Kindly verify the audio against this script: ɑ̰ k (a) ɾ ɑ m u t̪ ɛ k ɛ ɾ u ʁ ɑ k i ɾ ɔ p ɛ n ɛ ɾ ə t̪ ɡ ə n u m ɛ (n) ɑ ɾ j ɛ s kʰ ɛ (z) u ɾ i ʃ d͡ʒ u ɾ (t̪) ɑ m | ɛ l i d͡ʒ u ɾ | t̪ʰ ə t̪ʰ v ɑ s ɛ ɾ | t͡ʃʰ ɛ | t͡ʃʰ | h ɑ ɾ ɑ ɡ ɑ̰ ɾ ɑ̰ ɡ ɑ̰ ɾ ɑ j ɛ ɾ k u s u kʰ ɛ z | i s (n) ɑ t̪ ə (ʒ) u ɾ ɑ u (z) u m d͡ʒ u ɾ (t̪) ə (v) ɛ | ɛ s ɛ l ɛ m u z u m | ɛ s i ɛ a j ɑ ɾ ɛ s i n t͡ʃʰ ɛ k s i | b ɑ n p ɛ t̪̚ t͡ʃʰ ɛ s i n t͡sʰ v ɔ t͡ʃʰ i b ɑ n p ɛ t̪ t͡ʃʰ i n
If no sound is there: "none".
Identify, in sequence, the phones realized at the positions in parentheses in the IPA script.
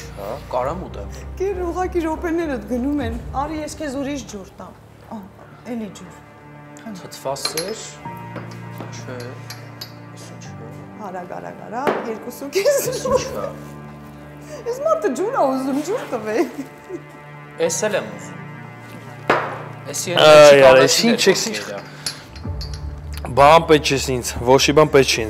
ɑ, n, z, t̪, m, d͡ʒ, z, t̪, v

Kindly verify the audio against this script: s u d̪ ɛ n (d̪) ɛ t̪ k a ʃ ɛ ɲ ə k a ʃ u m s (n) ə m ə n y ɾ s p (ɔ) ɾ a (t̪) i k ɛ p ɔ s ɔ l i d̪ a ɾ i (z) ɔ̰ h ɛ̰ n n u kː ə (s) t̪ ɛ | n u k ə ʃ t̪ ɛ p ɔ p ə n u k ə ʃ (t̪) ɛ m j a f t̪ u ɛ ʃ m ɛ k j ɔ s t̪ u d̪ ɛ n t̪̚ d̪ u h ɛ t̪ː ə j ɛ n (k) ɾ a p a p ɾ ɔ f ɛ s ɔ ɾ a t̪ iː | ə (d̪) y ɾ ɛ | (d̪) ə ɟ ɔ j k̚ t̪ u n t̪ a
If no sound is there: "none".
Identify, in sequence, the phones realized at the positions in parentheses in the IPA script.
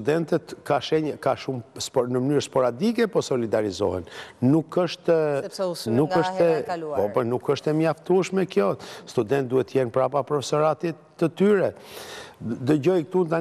t̪, n, ɔ, d̪, z, ʃ, t̪, p, t̪, d̪

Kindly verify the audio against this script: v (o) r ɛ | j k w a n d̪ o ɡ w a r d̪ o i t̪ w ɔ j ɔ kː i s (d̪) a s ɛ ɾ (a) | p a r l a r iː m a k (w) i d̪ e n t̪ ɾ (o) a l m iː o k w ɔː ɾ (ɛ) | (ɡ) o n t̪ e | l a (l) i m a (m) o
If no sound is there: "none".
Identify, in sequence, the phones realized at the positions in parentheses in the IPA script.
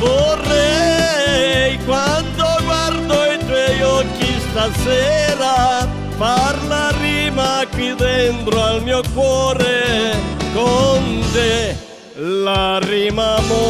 o, t̪, a, w, o, e, k, r, m

